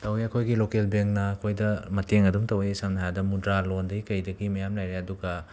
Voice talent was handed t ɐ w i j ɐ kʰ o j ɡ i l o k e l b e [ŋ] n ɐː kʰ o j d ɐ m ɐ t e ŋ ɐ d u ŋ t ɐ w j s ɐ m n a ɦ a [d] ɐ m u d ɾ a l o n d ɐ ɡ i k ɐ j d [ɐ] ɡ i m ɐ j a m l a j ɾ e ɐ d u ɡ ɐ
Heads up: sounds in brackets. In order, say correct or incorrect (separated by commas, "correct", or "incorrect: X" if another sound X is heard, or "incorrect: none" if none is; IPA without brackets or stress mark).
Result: correct, correct, correct